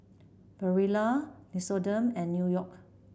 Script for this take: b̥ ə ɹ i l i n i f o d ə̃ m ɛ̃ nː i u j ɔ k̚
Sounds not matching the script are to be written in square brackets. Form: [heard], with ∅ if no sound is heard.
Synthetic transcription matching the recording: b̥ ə ɹ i l [a] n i [s] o d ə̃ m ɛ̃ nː [j] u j ɔ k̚